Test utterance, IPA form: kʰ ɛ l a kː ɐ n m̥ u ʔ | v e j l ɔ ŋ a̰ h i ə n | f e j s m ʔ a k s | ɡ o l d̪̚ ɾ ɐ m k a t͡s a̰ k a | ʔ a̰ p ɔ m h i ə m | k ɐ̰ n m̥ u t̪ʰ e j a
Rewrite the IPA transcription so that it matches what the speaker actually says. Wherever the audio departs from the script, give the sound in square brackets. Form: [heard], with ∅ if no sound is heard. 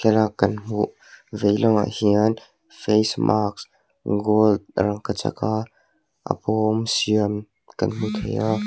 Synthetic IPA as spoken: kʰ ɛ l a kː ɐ n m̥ u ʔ | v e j l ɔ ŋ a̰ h i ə n | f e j s m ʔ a k s | ɡ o l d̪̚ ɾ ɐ [ŋ] k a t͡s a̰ k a | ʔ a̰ p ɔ m [s] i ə m | k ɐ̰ n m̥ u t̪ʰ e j a